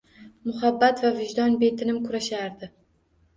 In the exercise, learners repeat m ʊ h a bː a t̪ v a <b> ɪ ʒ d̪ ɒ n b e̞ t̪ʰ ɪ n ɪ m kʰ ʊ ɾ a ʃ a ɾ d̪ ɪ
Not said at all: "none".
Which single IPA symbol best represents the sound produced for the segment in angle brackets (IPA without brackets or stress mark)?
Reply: v